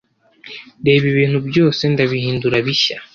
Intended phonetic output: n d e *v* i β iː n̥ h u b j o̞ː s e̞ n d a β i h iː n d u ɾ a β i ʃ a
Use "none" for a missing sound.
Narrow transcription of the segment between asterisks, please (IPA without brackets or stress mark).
β